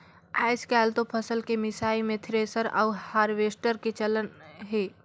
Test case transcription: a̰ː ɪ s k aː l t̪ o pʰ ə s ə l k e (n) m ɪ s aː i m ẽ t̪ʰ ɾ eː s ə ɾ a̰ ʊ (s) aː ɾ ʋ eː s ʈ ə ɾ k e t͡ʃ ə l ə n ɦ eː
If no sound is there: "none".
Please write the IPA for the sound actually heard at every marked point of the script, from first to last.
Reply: none, h

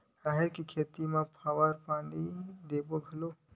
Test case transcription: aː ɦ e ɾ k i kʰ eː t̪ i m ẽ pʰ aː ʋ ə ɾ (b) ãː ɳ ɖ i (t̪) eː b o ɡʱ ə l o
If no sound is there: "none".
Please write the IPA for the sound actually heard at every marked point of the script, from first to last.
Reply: p, d̪

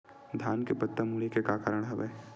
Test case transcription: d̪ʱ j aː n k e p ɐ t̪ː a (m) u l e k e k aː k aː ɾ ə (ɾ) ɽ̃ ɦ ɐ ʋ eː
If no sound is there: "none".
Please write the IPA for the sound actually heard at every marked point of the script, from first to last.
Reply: m, none

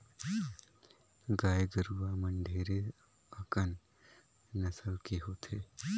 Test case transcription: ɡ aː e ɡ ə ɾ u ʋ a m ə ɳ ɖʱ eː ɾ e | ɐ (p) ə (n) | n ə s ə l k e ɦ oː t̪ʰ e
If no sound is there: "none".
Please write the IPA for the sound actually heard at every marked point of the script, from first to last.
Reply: k, n

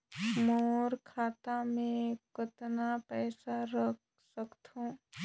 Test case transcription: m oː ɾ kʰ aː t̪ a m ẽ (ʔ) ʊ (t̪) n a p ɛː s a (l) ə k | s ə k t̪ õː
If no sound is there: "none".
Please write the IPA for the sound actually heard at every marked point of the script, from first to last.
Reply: k, t̪, ɾ

